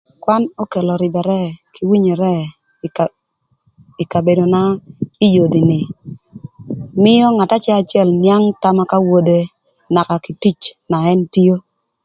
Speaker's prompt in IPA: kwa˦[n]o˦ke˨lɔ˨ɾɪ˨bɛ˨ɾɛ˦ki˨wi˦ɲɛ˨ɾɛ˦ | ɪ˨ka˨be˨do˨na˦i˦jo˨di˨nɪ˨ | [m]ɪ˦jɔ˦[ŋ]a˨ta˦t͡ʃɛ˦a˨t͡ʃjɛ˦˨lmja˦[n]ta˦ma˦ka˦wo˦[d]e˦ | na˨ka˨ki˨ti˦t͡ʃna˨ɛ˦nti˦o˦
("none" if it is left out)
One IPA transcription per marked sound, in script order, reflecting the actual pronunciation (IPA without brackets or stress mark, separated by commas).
n, m, ŋ, ŋ, d